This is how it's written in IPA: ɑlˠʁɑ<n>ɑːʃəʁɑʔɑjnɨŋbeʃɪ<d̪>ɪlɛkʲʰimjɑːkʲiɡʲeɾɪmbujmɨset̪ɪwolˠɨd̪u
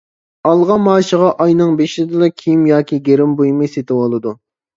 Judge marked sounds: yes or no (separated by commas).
no, yes